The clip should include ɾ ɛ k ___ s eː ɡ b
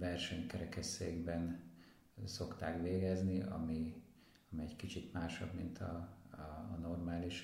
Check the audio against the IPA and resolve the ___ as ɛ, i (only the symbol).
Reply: ɛ